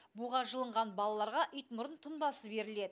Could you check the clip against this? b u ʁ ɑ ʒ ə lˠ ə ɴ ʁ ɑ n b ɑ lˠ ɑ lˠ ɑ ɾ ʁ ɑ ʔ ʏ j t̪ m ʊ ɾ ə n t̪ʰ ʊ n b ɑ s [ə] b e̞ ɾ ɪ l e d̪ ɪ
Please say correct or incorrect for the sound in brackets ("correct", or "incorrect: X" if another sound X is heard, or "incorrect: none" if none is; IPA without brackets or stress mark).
correct